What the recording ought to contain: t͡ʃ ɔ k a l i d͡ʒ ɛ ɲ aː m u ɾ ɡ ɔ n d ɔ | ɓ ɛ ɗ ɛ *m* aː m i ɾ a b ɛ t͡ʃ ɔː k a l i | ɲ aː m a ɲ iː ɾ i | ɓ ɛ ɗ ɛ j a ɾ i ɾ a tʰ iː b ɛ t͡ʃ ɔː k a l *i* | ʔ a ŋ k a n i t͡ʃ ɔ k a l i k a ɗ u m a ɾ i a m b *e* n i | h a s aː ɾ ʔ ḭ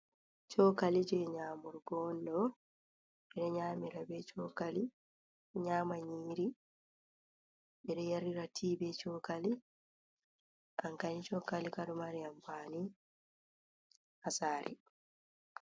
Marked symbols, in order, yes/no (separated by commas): no, yes, no